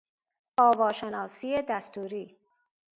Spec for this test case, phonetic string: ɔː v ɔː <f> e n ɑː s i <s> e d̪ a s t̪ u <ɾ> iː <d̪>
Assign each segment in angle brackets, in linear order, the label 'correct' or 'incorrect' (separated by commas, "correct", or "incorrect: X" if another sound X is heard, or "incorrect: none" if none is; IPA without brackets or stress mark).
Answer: incorrect: ʃ, incorrect: none, correct, incorrect: none